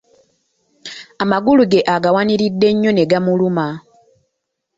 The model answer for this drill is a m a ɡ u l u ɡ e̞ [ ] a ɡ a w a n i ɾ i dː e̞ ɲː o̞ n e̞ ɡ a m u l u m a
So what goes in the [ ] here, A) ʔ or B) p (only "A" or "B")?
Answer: A